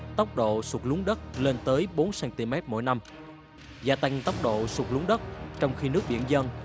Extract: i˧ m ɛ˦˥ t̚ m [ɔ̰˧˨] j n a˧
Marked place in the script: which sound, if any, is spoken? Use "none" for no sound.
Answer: o̰˧˨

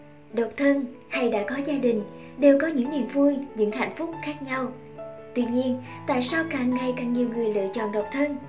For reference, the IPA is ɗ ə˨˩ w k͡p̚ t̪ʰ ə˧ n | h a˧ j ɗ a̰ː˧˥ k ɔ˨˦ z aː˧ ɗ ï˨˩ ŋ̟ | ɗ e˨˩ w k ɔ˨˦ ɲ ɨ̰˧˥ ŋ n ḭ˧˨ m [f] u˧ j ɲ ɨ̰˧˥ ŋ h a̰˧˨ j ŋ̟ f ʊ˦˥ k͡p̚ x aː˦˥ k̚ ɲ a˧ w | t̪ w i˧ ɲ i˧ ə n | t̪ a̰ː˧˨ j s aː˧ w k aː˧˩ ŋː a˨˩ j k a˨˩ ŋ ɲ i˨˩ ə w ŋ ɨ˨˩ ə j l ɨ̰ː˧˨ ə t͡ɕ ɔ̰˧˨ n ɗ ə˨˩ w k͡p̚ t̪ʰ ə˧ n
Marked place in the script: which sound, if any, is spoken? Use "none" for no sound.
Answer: v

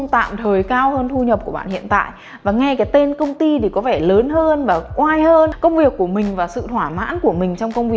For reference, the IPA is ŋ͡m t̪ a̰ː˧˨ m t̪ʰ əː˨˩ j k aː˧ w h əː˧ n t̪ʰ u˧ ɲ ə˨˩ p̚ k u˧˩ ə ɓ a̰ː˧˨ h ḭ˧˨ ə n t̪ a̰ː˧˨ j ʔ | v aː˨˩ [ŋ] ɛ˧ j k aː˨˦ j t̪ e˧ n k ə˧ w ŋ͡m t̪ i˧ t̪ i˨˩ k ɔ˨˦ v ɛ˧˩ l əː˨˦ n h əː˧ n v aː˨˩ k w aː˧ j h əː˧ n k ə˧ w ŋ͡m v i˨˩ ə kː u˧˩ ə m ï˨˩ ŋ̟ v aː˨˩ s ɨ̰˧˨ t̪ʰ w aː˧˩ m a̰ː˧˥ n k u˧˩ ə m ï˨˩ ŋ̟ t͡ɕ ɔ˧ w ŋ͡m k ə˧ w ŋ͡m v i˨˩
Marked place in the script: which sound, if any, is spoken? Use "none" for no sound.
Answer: ŋ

